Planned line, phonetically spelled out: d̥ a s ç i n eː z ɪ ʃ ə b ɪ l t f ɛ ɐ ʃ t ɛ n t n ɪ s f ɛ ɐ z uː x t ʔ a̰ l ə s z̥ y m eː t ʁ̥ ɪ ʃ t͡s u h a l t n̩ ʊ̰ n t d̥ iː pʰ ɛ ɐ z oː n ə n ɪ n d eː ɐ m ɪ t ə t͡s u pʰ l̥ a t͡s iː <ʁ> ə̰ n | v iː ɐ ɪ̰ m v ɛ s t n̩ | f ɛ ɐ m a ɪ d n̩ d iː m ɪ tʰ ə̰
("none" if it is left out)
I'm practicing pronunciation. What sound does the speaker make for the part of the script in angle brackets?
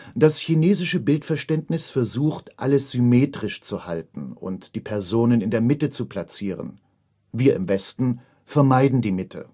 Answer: ʁ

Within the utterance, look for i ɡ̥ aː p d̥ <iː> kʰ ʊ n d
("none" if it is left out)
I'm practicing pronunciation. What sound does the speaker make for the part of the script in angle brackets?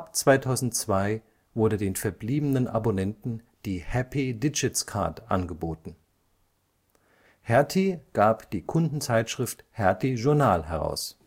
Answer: iː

